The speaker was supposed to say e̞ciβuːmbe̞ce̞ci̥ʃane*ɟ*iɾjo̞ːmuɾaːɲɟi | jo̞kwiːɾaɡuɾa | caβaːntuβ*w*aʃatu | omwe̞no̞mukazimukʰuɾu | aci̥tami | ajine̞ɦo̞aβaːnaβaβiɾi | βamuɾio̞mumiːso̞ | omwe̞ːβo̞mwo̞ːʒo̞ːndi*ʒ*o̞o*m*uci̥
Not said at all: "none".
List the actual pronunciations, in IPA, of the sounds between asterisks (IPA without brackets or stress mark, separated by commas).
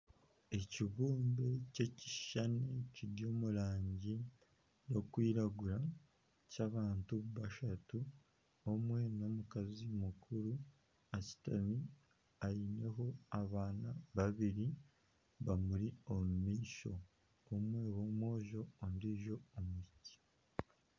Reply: c, β, ʒ, m